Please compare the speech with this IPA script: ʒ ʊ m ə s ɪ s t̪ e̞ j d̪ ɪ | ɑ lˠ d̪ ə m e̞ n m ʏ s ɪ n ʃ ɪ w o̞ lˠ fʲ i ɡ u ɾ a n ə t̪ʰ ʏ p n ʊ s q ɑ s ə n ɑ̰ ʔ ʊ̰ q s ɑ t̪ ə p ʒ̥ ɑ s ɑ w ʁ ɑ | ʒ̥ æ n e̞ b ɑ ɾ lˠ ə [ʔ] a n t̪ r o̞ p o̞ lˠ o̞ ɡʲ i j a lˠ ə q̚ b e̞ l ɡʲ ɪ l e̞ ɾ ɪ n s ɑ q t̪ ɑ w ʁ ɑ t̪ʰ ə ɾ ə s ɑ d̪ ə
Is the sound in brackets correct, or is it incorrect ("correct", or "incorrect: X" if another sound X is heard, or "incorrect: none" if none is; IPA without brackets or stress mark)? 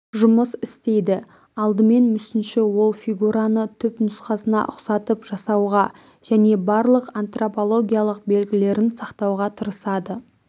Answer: incorrect: q